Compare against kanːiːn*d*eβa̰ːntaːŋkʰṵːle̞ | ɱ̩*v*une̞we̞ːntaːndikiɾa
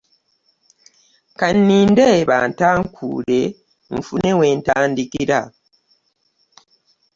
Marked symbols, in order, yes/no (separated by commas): yes, no